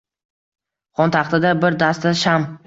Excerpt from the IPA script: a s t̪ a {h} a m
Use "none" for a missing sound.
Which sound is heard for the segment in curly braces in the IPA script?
ʃ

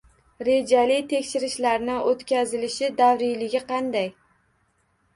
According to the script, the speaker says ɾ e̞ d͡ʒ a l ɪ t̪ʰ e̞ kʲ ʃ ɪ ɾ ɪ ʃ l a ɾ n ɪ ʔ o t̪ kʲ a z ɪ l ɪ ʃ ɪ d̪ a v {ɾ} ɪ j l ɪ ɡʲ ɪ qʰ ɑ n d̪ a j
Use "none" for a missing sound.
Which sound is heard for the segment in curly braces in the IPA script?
ɾ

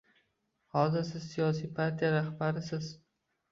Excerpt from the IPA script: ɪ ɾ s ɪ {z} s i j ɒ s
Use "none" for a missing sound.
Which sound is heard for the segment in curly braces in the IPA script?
z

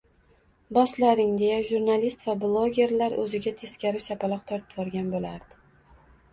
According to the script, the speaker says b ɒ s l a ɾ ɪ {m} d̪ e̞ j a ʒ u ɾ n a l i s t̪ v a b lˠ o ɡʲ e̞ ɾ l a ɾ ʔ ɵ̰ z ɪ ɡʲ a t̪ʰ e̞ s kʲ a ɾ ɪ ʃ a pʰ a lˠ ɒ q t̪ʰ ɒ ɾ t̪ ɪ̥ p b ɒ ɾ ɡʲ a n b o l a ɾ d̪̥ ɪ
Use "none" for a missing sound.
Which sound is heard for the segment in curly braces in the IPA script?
ŋ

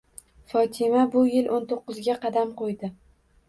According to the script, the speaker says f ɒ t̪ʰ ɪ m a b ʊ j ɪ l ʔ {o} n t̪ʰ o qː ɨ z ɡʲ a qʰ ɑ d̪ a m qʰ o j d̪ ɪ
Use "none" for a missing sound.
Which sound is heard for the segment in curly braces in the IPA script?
o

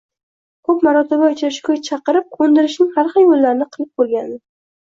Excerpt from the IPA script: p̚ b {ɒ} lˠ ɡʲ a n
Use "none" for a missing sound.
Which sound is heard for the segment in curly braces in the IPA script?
o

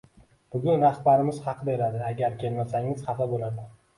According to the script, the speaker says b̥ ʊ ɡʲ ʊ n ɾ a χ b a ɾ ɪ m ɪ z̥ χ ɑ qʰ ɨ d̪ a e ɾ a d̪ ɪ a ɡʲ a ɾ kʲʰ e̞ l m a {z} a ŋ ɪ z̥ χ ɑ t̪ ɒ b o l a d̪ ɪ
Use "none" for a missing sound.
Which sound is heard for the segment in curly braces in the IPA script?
s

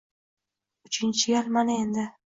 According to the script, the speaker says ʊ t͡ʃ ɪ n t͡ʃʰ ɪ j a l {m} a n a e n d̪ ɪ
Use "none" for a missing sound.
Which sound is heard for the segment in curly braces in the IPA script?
m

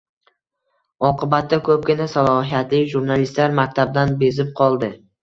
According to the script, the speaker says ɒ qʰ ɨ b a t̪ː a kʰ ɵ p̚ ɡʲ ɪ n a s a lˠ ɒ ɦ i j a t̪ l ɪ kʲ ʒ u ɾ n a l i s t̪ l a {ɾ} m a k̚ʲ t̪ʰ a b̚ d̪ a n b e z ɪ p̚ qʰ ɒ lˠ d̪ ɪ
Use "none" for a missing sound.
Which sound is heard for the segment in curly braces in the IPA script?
ɾ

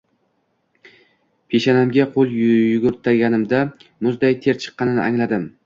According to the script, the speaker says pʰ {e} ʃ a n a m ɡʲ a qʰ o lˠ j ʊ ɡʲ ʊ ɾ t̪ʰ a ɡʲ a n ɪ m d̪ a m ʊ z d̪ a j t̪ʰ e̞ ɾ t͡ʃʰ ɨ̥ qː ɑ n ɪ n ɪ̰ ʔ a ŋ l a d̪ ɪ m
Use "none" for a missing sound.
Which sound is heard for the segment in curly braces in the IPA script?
e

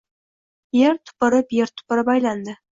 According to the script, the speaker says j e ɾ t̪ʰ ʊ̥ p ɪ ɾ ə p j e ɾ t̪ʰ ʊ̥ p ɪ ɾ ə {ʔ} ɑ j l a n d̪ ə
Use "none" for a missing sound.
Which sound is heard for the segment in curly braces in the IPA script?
p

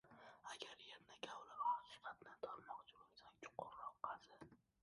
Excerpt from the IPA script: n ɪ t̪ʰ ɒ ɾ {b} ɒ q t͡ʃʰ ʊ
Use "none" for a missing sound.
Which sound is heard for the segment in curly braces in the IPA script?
m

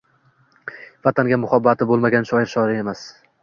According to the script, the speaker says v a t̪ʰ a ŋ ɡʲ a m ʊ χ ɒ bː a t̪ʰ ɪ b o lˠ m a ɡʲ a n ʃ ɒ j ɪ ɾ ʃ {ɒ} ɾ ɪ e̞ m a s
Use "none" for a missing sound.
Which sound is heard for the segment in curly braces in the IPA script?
ɒ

